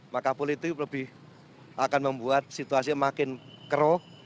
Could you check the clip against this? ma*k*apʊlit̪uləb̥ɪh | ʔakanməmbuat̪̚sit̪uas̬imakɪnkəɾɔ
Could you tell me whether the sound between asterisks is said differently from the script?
no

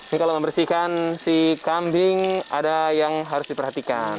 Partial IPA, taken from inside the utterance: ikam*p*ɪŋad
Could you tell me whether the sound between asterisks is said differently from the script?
yes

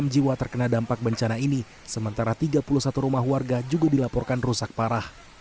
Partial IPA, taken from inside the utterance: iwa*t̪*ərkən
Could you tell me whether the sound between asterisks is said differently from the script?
no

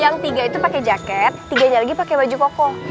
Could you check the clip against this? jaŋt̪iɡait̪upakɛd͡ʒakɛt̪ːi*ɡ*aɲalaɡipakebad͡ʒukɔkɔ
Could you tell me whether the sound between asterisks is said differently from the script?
no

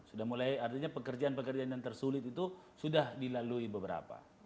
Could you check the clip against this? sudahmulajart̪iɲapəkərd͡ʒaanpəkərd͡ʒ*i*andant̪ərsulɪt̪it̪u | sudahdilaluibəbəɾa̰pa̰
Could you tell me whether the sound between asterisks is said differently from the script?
yes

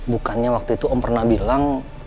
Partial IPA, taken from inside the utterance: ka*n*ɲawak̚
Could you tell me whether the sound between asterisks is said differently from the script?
no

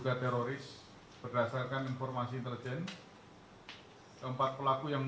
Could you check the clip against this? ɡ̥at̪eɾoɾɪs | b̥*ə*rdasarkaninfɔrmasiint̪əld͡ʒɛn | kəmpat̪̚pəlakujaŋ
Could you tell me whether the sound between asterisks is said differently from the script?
no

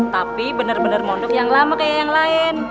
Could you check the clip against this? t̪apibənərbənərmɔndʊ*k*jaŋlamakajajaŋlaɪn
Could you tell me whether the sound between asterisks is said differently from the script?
no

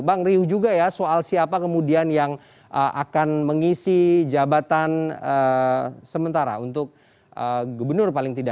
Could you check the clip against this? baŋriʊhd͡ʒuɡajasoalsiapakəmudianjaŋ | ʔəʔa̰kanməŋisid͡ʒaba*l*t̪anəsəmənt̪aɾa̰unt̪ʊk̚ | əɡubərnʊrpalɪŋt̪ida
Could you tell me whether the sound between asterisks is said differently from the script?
yes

